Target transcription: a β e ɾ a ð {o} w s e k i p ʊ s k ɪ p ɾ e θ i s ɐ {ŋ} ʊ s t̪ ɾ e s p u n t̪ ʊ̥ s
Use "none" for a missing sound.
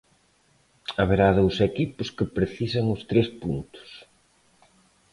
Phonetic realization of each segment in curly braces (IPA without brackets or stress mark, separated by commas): o, ŋ